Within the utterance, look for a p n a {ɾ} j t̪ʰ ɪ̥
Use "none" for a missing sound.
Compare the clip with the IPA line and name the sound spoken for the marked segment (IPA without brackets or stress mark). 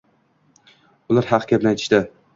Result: none